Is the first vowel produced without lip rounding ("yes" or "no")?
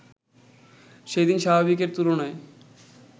yes